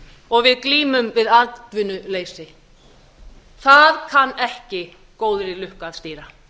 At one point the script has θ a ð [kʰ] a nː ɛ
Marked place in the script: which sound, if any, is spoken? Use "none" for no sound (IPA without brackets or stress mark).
kʰ